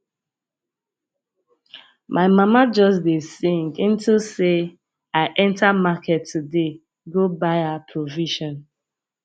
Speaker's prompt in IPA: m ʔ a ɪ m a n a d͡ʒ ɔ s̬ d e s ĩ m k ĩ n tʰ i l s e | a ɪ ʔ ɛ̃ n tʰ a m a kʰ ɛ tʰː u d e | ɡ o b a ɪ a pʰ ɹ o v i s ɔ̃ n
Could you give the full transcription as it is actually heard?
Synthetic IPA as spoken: m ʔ a ɪ m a m a d͡ʒ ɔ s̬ d e s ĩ ŋ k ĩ n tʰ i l s e | a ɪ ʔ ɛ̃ n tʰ a m a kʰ ɛ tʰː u d e | ɡ o b a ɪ a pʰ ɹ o v i ʃ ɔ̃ n